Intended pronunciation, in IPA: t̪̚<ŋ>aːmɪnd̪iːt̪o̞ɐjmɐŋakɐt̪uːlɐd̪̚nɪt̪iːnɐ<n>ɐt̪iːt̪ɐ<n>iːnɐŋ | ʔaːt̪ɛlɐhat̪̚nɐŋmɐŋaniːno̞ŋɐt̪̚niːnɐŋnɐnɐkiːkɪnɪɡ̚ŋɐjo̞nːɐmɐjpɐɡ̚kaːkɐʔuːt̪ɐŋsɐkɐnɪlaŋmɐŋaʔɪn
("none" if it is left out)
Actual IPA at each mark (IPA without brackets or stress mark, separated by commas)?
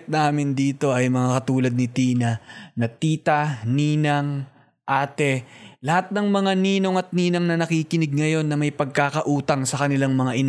n, n, n